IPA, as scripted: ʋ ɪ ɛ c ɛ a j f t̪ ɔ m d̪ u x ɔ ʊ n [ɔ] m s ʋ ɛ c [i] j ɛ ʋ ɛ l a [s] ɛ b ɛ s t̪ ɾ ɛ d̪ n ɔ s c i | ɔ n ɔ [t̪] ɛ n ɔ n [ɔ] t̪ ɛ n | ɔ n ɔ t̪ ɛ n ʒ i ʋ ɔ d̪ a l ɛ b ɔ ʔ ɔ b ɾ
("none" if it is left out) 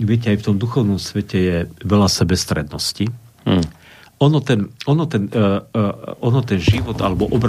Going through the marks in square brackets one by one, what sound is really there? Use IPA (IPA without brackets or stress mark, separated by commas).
ɔ, ɛ, s, t̪, ɔ